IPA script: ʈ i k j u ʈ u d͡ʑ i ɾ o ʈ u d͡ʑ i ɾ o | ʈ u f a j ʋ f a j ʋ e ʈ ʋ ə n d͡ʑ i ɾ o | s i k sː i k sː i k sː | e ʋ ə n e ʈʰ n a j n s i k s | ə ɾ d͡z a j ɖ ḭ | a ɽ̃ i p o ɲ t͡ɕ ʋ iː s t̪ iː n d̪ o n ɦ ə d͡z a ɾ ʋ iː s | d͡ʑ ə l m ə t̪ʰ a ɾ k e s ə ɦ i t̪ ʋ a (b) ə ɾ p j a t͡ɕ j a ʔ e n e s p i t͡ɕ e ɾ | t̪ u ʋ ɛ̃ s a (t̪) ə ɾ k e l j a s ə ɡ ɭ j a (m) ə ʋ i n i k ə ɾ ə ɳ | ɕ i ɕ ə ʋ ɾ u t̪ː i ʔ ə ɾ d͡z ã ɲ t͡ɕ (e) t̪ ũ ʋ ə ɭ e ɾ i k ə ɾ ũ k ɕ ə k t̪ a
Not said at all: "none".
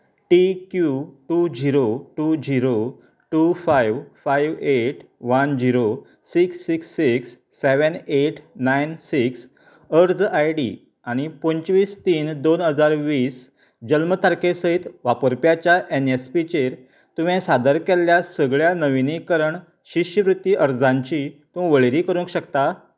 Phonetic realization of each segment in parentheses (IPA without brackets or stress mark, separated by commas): p, d̪, n, i